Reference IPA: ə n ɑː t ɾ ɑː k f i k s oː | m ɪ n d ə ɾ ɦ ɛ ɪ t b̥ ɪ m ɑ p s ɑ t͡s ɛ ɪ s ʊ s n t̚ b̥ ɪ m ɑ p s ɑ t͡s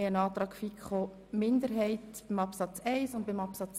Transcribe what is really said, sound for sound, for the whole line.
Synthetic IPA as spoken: ə n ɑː t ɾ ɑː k f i k χ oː | m ɪ n d ə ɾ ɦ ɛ ɪ t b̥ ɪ m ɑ p s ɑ t͡s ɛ ɪ s ʊ n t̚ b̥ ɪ m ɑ p s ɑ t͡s